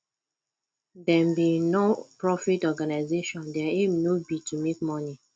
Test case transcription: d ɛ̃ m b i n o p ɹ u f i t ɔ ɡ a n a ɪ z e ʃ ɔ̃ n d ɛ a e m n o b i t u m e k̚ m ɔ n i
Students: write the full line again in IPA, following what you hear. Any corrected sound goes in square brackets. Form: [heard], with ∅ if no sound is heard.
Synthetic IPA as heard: d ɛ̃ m b i n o p ɹ [ɔ] f i t ɔ ɡ a n a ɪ z e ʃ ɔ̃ n d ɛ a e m n o b i t u m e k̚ m ɔ n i